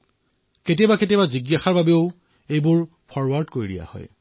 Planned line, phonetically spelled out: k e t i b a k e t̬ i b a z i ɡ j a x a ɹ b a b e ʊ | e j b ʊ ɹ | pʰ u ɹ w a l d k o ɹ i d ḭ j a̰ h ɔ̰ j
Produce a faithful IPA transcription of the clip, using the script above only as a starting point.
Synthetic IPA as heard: k e t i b a k e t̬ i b a z i ɡ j a x a ɹ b a b e ʊ | e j b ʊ ɹ | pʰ ɔ ɹ w a ɹ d k o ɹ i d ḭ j a̰ h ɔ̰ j